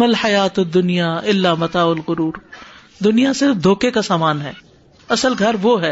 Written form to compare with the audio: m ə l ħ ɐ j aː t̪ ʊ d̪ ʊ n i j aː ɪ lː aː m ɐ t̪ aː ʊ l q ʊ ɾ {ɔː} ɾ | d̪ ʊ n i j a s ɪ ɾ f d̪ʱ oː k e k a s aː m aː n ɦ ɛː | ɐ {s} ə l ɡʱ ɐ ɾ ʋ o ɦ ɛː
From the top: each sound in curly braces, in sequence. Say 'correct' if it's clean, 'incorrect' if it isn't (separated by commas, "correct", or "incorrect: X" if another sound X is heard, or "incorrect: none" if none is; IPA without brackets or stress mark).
incorrect: uː, correct